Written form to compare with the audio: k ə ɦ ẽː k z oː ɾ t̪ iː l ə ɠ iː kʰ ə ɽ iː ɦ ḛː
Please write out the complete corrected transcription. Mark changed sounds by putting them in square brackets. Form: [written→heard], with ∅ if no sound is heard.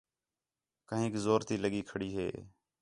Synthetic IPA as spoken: k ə ɦ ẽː k z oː ɾ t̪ iː l ə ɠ iː kʰ ə ɽ iː ɦ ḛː